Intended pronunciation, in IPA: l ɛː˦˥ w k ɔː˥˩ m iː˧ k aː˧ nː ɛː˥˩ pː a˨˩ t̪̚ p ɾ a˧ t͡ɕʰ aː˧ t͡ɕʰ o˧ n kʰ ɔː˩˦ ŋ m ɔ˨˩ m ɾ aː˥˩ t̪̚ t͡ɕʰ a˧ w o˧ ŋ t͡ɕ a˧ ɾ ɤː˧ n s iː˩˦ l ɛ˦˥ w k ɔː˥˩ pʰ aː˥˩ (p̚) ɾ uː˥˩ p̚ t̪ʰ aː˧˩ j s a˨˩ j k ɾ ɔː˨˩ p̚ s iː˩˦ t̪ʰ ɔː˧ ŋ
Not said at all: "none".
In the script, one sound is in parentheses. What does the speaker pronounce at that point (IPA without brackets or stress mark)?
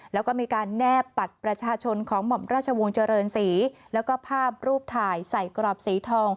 p̚